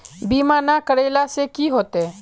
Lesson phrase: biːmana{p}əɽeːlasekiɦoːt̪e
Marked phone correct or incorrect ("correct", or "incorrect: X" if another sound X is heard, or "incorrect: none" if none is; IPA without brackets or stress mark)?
incorrect: k